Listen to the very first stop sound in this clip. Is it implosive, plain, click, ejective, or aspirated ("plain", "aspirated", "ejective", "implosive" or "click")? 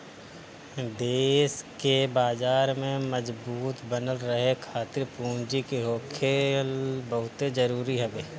plain